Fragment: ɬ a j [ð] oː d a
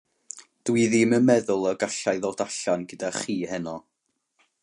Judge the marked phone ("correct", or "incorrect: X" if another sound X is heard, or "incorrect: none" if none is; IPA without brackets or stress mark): correct